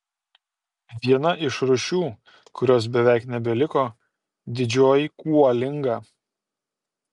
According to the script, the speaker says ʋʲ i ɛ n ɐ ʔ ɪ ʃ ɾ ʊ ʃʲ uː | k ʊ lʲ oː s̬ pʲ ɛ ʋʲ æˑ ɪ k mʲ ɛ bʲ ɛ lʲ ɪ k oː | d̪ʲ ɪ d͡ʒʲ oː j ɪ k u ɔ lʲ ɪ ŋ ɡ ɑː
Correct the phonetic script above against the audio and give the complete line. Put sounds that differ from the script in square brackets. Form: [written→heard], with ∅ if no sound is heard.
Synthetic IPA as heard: ʋʲ i ɛ n ɐ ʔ ɪ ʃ ɾ ʊ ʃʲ uː | k ʊ [lʲ→ɾʲ] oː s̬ [pʲ→bʲ] ɛ ʋʲ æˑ ɪ k [mʲ→nʲ] ɛ bʲ ɛ lʲ ɪ k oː | d̪ʲ ɪ d͡ʒʲ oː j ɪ k u ɔ lʲ ɪ ŋ ɡ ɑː